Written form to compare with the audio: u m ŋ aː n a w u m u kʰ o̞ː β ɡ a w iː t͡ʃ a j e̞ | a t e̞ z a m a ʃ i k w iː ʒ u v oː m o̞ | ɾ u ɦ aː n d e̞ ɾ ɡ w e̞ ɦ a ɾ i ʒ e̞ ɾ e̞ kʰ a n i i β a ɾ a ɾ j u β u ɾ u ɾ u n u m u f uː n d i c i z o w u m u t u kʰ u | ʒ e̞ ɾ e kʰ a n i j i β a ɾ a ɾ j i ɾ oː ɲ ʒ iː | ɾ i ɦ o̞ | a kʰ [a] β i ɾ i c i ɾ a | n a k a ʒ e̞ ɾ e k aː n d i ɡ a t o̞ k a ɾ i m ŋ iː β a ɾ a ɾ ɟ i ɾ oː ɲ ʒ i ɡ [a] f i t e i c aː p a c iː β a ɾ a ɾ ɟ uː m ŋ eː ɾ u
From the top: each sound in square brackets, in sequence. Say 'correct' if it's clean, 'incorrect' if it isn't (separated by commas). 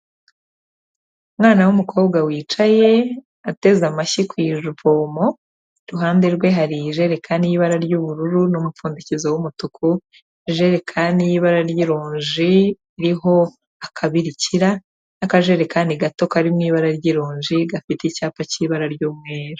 correct, correct